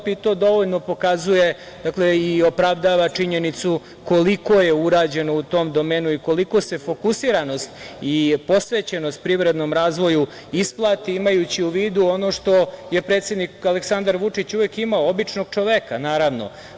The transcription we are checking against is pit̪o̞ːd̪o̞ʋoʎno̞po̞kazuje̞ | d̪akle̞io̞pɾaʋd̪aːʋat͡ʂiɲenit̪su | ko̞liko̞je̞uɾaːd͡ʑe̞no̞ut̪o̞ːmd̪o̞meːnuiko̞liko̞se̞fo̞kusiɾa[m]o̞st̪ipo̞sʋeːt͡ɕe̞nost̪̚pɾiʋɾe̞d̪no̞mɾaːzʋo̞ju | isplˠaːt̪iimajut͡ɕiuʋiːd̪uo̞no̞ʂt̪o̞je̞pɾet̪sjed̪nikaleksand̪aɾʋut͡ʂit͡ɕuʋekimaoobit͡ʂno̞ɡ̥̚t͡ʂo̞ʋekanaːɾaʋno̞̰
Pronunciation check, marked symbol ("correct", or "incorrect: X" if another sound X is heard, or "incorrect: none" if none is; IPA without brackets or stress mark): incorrect: n